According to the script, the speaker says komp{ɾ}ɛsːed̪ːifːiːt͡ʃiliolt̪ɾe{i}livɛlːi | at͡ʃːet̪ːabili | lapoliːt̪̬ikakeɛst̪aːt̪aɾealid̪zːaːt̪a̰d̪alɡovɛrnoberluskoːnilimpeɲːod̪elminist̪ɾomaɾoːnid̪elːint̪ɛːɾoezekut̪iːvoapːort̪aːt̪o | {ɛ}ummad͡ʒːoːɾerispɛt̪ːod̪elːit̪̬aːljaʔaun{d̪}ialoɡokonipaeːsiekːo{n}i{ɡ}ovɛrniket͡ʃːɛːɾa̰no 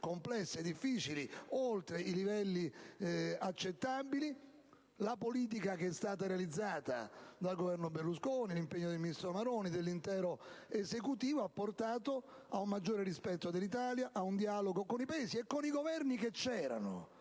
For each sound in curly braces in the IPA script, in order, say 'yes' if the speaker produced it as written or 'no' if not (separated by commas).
no, yes, no, yes, yes, yes